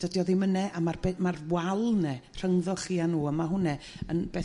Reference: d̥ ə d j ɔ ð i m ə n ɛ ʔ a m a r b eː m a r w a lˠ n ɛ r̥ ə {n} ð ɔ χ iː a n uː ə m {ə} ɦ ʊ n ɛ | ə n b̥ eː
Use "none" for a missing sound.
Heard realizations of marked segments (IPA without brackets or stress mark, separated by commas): ŋ, a